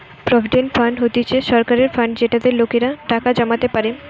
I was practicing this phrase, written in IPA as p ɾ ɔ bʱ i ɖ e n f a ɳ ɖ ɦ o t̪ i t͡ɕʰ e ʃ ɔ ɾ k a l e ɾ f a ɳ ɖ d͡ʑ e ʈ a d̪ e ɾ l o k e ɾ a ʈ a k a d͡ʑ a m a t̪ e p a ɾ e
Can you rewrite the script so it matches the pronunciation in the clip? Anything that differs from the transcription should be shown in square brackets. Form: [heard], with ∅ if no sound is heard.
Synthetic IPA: p ɾ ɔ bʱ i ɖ e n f a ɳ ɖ ɦ o t̪ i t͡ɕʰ e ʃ ɔ ɾ k a [ɾ] e ɾ f a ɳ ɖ d͡ʑ e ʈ a d̪ e ɾ l o k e ɾ a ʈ a k a d͡ʑ a m a t̪ e p a ɾ e

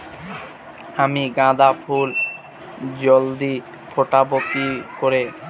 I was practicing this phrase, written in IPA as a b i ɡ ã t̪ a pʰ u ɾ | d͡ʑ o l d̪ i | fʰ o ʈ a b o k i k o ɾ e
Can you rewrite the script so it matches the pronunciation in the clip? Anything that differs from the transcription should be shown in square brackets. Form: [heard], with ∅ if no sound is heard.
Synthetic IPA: a [m] i ɡ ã [d̪] a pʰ u [l] | d͡ʑ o l d̪ i | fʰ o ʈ a b o k i k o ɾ e

